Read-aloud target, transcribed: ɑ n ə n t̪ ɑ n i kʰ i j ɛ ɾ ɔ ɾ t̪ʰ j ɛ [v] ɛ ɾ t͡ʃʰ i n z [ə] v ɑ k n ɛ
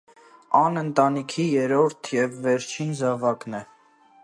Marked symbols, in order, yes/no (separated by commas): no, no